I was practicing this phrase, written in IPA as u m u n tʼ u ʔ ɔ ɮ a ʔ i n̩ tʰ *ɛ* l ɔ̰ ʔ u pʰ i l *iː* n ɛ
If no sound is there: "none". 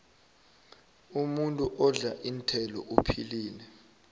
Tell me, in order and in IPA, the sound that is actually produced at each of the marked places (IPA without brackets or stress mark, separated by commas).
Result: ɛ, iː